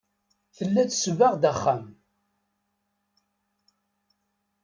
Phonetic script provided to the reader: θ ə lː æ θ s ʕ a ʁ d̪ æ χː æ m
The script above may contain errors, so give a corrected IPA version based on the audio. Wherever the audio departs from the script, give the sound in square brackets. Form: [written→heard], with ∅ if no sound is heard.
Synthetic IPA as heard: θ ə lː æ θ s [ʕ→v] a ʁ d̪ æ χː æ m